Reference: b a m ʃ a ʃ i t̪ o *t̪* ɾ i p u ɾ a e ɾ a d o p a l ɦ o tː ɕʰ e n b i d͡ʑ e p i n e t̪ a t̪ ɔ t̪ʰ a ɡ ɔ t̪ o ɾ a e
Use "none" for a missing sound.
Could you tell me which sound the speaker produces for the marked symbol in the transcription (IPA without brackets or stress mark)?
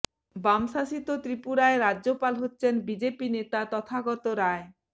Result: t̪